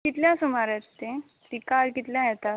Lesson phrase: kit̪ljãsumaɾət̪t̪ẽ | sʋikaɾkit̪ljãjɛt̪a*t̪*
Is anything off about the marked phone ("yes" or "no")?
yes